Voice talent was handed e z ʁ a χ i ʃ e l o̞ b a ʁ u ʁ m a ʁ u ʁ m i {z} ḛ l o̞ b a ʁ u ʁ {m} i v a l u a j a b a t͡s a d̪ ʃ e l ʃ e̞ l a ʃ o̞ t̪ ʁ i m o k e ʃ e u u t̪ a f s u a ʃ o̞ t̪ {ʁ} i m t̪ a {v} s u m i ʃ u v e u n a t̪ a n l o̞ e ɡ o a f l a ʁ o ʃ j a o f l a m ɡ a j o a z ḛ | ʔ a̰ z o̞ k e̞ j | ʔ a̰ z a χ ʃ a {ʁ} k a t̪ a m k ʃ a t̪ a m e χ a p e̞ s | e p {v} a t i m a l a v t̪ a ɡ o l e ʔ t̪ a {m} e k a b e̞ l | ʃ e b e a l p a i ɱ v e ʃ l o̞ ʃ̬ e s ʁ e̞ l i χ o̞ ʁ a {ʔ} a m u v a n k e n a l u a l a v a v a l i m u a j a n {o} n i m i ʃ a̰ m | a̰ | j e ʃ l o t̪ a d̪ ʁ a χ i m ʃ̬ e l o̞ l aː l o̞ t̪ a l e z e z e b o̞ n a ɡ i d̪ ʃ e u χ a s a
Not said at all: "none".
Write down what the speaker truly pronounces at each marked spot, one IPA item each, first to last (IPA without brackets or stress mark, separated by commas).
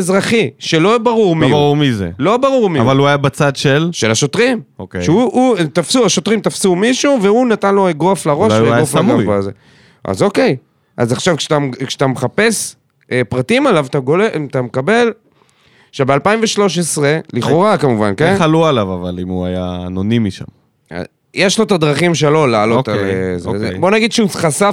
z, m, ʁ, f, v, ʁ, m, k, o